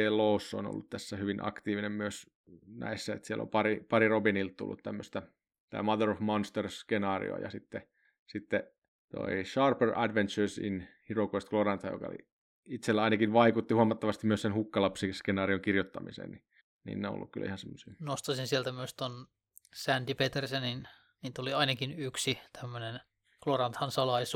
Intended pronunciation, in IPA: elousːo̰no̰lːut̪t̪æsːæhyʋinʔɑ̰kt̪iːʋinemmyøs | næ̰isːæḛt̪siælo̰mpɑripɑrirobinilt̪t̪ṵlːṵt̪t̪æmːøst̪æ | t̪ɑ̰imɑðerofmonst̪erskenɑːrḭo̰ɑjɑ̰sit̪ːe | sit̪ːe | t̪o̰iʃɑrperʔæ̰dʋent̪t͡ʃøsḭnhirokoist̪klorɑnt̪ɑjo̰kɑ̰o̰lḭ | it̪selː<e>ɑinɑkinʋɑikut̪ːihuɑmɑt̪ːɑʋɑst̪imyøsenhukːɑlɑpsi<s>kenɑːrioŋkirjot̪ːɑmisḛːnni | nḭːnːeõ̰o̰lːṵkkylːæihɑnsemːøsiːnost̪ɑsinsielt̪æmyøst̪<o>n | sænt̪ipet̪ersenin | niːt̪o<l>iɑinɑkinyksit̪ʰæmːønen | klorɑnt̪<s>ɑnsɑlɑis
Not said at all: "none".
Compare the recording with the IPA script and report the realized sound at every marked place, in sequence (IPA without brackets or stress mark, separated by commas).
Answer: æ, s, o, l, h